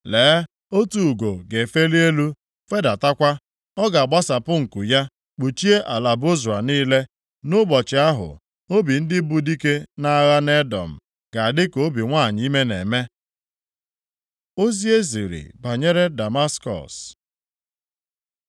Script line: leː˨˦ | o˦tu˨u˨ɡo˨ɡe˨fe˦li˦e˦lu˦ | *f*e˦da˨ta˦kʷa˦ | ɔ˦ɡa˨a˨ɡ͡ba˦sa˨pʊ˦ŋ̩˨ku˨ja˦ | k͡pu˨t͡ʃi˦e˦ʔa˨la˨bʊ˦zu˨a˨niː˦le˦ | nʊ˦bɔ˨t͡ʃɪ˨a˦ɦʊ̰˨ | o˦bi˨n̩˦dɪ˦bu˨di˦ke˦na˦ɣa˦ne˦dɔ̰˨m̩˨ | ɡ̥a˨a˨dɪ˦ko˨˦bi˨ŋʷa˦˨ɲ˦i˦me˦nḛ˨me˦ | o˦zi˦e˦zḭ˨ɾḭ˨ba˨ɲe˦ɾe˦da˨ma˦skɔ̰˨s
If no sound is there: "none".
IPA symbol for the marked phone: f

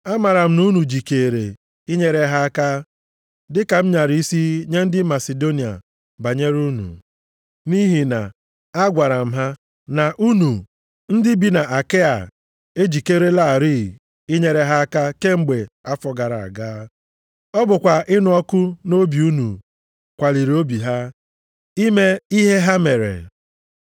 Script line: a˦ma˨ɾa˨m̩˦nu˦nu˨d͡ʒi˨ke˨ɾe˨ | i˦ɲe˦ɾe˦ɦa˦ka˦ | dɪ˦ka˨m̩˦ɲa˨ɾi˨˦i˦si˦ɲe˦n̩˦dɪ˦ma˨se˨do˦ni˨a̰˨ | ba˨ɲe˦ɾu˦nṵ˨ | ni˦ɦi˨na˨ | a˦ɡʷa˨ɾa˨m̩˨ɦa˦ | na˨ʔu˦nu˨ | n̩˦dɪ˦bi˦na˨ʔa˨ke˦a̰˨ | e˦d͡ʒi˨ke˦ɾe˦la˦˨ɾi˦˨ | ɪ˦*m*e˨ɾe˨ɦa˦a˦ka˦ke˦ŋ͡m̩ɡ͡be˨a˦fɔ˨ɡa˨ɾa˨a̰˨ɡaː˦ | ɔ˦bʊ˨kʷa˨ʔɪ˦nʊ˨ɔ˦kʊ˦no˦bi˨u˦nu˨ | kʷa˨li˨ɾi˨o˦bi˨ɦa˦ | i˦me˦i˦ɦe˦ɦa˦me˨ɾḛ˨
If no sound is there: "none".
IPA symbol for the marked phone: ɲ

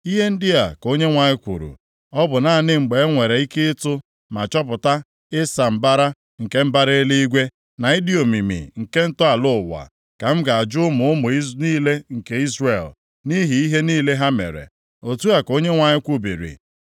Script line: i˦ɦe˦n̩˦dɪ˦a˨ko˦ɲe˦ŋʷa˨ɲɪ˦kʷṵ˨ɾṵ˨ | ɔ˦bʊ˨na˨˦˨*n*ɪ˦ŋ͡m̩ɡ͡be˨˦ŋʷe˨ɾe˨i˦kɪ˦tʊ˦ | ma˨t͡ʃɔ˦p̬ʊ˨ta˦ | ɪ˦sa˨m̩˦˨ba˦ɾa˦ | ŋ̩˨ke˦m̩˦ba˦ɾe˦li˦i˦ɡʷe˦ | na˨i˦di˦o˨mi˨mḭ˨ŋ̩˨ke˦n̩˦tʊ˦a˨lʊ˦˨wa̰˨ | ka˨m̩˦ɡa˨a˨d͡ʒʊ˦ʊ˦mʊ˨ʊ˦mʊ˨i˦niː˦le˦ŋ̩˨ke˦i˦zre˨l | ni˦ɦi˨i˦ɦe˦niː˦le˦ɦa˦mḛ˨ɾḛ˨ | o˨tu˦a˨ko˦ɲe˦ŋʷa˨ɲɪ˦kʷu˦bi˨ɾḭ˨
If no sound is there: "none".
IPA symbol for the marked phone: n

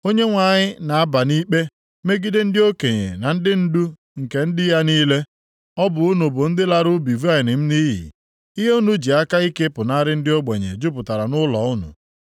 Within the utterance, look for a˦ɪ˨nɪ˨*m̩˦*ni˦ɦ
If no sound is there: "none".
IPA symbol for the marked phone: m̩˦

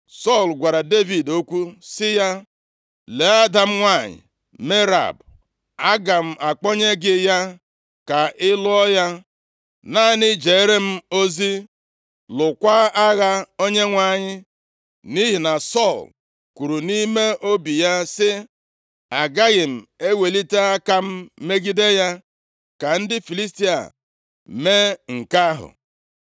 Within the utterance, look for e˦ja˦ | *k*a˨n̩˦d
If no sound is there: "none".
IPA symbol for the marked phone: k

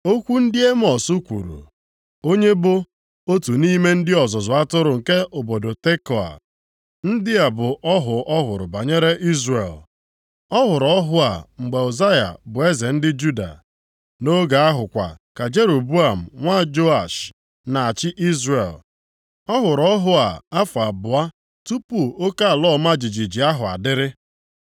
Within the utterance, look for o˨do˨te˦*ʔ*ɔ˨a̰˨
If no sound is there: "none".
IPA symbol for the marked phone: k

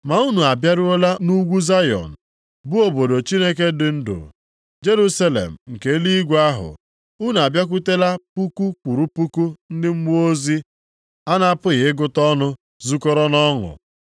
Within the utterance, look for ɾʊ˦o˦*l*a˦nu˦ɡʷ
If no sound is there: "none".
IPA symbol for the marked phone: l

